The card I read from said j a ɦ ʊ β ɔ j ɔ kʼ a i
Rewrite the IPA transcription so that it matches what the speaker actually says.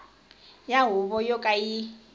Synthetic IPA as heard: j a ɦ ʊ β ɔ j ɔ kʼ a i